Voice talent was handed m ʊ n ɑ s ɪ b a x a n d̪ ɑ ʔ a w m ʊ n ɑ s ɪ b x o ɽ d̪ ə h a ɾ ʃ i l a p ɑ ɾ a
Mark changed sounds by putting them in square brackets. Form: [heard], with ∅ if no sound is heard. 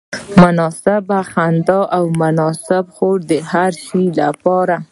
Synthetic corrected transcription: m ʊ n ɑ s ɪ b a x a n d̪ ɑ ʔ a w m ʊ n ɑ s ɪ b x o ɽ d̪ ə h a ɾ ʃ i l a p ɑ ɾ a